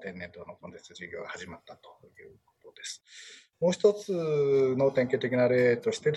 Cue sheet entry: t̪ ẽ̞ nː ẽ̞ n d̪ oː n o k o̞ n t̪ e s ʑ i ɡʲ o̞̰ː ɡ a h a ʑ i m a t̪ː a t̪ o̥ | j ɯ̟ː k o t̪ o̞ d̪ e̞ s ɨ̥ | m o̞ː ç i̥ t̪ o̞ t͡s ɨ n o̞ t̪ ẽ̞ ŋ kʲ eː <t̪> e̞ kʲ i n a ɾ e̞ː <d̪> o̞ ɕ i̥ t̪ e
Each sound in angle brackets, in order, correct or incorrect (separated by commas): correct, incorrect